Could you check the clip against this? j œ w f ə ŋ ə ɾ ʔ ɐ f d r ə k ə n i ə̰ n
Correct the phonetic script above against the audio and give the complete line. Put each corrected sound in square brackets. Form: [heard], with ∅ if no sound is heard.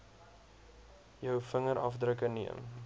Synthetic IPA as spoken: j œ w f ə ŋ ə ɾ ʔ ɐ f d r ə k ə n i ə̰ [m]